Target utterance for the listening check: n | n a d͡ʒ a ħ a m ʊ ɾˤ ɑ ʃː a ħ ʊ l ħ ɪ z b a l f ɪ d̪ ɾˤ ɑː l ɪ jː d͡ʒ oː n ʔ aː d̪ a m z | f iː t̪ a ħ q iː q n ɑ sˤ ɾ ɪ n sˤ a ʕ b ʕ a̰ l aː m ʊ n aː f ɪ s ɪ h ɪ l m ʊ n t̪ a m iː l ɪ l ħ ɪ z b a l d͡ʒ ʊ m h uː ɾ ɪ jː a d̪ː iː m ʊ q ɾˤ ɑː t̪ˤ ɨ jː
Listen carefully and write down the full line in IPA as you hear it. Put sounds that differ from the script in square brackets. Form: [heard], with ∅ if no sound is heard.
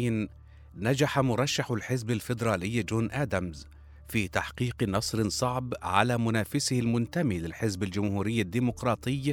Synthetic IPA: n | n a d͡ʒ a ħ a m ʊ ɾˤ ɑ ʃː a ħ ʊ l ħ ɪ z b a l f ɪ d̪ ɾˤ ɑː l ɪ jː d͡ʒ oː n ʔ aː d̪ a m z | f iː t̪ a ħ q iː q n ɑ sˤ ɾ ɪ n sˤ [ɑ] ʕ b ʕ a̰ l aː m ʊ n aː f ɪ s ɪ h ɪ l m ʊ n t̪ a m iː l ɪ l ħ ɪ z b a l d͡ʒ ʊ m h uː ɾ ɪ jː a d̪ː iː m ʊ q ɾˤ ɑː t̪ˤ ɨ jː